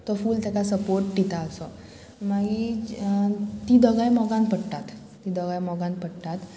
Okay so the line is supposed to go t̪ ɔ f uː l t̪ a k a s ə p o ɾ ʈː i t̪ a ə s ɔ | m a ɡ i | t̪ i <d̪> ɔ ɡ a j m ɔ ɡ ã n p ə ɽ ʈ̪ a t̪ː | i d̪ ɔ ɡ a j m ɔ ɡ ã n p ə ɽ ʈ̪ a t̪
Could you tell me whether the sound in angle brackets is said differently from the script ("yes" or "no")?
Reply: no